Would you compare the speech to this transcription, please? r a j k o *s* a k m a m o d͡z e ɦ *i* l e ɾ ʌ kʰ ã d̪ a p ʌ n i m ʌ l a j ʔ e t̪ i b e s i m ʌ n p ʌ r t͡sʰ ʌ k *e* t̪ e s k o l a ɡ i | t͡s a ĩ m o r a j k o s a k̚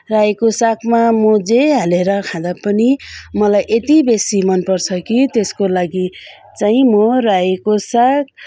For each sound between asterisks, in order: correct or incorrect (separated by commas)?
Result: correct, incorrect, incorrect